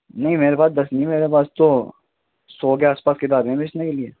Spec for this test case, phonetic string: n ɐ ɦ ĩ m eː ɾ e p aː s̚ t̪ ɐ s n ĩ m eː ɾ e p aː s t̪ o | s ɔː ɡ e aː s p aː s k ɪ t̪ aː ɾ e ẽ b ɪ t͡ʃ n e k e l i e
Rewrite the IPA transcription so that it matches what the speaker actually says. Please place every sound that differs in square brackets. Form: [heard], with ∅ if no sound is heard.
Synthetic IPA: n ɐ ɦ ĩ m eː ɾ e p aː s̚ [d̪] ɐ s n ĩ m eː ɾ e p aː s t̪ o | s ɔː ɡ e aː s p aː s k ɪ t̪ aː ɾ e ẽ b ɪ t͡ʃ n e k e l i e